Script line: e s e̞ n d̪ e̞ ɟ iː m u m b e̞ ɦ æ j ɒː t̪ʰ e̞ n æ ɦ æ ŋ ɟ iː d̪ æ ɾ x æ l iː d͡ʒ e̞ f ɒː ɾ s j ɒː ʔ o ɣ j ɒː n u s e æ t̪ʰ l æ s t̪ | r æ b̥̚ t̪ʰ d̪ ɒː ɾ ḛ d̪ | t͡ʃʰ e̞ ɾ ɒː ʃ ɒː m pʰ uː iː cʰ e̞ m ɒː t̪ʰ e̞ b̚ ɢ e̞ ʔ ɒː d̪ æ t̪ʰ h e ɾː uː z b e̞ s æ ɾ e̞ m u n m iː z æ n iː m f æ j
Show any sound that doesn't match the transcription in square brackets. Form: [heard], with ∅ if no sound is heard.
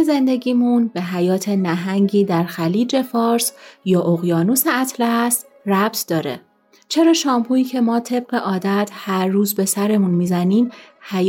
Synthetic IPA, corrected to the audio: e [z] e̞ n d̪ e̞ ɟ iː m u [n] b e̞ ɦ æ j ɒː t̪ʰ e̞ n æ ɦ æ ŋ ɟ iː d̪ æ ɾ x æ l iː d͡ʒ e̞ f ɒː ɾ s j ɒː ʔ o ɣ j ɒː n u s e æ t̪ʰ l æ s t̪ | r æ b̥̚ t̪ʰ d̪ ɒː ɾ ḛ [∅] | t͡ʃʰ e̞ ɾ ɒː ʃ ɒː m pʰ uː iː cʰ e̞ m ɒː t̪ʰ e̞ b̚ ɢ e̞ ʔ ɒː d̪ æ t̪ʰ h [æ] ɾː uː z b e̞ s æ ɾ e̞ m u n m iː z æ n iː m [h] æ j